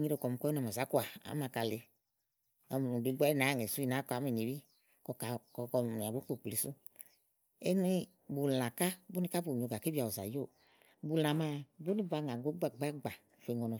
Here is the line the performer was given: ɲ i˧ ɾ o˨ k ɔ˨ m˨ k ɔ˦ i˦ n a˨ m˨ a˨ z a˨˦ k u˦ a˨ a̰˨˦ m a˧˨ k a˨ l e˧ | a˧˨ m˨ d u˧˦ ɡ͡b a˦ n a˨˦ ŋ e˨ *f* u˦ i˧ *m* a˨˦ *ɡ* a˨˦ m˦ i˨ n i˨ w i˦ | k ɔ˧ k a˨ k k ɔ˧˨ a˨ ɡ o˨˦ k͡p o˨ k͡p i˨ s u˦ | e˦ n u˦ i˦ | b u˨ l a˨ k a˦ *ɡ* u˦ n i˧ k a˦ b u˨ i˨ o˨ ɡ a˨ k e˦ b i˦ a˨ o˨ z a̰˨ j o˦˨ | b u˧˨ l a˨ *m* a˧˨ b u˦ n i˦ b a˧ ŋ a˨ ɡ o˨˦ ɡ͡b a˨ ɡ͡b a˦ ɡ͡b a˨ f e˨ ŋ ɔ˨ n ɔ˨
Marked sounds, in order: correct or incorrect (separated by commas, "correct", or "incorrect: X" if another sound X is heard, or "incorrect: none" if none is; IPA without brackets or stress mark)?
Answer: incorrect: s, incorrect: n, incorrect: k, incorrect: b, correct